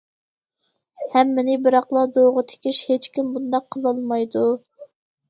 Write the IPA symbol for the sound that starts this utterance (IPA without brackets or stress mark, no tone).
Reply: h